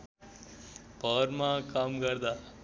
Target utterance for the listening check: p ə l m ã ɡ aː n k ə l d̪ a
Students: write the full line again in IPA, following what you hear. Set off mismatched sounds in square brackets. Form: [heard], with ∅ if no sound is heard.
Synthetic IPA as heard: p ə [ɾ] m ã [k] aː [m] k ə [ɾ] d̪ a